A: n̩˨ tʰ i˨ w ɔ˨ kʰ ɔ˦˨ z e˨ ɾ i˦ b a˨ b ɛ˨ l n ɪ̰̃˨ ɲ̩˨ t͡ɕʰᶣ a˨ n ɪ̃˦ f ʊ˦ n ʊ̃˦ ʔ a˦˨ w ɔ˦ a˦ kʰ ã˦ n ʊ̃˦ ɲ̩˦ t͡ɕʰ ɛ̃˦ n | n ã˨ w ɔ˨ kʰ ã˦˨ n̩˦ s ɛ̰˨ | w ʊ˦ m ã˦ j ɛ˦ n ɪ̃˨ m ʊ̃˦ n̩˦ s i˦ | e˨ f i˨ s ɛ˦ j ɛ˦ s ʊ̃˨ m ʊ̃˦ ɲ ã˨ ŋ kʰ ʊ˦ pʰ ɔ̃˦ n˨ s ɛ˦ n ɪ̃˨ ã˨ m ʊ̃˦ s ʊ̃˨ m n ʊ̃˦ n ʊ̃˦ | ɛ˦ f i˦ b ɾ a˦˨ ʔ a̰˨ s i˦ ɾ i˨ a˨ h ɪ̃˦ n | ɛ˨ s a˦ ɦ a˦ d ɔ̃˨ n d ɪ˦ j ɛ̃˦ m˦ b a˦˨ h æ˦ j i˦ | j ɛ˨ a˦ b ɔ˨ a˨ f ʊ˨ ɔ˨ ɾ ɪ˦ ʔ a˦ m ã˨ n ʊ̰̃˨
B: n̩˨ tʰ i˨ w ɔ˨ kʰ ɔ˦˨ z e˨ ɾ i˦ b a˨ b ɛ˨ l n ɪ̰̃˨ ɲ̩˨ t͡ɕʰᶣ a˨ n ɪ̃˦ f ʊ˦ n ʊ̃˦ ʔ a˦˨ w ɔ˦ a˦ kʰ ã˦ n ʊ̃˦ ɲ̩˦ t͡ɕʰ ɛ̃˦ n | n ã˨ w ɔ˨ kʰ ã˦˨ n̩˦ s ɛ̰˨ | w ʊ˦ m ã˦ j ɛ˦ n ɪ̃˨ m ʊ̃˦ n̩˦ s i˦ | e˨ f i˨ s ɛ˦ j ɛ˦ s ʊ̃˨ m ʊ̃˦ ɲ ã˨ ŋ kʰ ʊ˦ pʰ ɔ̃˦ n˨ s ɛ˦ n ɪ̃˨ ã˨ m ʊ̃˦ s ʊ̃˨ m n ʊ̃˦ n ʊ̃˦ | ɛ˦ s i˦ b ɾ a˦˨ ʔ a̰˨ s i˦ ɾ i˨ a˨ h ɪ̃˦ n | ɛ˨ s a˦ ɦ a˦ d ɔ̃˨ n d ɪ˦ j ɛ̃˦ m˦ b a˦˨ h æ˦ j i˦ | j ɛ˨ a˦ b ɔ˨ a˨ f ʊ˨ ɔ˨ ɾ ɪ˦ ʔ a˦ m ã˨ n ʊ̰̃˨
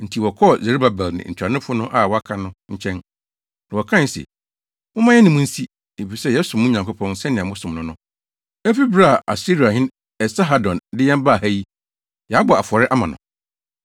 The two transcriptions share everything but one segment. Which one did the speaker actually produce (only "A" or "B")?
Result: A